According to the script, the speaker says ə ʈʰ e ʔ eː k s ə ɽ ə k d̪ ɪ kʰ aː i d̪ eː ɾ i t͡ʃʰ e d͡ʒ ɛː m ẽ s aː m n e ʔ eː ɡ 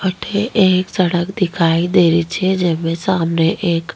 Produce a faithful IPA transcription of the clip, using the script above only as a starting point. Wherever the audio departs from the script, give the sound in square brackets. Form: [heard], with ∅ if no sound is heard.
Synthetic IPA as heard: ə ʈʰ e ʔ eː k s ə ɽ ə k d̪ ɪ kʰ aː i d̪ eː ɾ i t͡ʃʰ e d͡ʒ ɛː m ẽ s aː m n e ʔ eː [k]